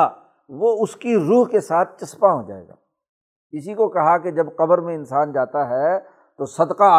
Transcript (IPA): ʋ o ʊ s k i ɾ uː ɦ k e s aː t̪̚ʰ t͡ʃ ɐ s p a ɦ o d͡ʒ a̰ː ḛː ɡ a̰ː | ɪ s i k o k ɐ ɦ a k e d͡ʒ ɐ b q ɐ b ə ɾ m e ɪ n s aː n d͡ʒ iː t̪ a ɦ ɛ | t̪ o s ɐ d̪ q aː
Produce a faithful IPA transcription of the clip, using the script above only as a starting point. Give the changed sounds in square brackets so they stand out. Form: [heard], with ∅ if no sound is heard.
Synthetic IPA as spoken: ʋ o ʊ s k i ɾ uː ɦ k e s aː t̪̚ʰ t͡ʃ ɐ s p a ɦ o d͡ʒ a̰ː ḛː ɡ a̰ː | ɪ s i k o k ɐ ɦ a k e d͡ʒ ɐ b q ɐ b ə ɾ m [ẽ] ɪ n s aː n d͡ʒ [aː] t̪ a ɦ ɛ | t̪ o s ɐ d̪ q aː